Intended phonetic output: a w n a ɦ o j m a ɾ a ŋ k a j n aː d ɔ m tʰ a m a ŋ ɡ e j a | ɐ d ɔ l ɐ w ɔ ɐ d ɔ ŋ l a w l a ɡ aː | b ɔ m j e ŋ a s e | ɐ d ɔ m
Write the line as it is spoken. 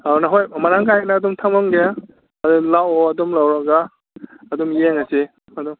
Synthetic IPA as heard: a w n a ɦ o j m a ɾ a ŋ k a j n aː d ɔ m tʰ a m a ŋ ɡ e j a | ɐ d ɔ l a w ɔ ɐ d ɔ m l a w ɾ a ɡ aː | d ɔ m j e ŋ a s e | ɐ d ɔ m

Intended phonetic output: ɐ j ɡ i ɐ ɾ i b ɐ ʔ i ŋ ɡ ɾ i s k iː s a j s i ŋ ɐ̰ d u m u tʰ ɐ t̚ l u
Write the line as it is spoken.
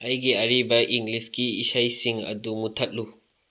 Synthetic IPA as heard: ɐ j ɡ i ɐ ɾ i b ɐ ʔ i ŋ ɡ l i s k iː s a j s i ŋ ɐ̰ d u m u tʰ ɐ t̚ l u

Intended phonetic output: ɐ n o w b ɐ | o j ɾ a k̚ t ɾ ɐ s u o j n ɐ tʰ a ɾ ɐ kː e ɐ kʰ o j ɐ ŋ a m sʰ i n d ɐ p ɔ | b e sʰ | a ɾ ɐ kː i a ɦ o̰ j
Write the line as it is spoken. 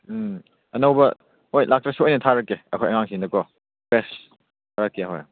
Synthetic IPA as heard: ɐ n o w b ɐ | o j l a k̚ t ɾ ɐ s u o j n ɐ tʰ a ɾ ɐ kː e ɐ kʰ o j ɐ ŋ a ŋ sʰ i n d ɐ k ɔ | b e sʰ | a ɾ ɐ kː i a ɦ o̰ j

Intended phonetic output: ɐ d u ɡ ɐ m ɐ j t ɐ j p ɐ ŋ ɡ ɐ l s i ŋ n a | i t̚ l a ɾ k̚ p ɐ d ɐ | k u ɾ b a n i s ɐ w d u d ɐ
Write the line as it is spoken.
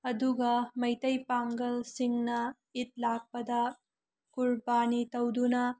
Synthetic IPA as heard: ɐ d u ɡ ɐ m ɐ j t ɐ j p a ŋ ɡ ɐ l s i ŋ n ɐ | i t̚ l a k̚ p ɐ d ɐ | k u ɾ b a n i t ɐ w d u n ɐ

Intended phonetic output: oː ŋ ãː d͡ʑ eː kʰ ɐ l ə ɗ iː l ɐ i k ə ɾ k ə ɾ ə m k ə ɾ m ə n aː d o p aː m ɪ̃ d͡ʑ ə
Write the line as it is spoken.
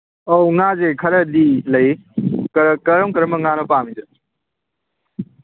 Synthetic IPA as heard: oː ŋ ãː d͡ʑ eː kʰ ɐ ɾ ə ɗ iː l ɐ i k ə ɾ k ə ɾ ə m k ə ɾ m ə ŋ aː n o p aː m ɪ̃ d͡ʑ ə

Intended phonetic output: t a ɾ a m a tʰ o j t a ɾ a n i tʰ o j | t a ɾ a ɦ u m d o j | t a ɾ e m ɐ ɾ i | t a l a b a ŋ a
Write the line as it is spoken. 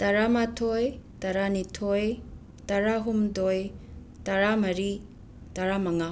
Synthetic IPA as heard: t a ɾ a m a tʰ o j t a ɾ a n i tʰ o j | t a ɾ a ɦ u m d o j | t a ɾ a m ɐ ɾ i | t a ɾ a m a ŋ a

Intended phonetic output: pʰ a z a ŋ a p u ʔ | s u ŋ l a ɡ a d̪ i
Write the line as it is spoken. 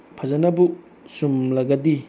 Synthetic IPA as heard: pʰ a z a n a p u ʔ | s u m l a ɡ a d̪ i

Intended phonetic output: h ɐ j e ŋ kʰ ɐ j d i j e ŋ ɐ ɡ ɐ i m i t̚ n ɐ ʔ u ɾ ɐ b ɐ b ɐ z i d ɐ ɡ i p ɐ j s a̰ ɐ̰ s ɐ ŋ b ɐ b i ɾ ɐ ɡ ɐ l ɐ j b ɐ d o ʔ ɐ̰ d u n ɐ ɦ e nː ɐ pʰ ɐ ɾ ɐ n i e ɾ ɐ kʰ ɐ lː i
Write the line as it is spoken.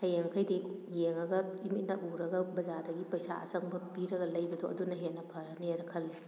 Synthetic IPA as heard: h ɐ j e ŋ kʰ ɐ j d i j e ŋ ɐ ɡ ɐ i m i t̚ n ɐ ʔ u ɾ ɐ ɡ ɐ b ɐ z a d ɐ ɡ i p ɐ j s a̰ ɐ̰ s ɐ ŋ b ɐ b i ɾ ɐ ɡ ɐ l ɐ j b ɐ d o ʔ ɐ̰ d u n ɐ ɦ e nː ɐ pʰ ɐ ɾ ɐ n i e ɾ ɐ kʰ ɐ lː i

